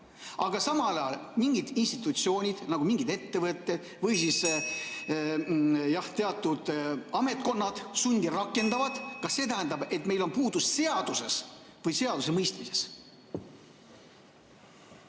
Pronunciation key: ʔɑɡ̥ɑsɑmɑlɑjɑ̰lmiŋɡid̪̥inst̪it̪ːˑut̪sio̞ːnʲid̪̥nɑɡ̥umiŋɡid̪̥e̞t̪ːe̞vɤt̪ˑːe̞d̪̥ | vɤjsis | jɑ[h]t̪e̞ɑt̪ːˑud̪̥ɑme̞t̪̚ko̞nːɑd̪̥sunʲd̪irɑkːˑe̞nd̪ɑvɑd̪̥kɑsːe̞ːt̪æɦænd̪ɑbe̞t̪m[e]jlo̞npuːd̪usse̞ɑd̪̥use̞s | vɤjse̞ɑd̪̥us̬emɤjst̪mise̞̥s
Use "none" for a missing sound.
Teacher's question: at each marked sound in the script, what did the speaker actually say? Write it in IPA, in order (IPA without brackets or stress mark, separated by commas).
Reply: h, e